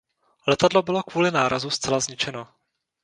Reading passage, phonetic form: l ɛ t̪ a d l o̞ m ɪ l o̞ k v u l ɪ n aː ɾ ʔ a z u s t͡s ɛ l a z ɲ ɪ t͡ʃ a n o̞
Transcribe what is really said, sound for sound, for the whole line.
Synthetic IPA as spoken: l ɛ t̪ a d l o̞ b ɪ l o̞ k v uː l ɪ n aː ɾ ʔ a z u s t͡s ɛ l a z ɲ ɪ t͡ʃ ɛ n o̞